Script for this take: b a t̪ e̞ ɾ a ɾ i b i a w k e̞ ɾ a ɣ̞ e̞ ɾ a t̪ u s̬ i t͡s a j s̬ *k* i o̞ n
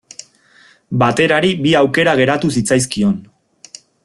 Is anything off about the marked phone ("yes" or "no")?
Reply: no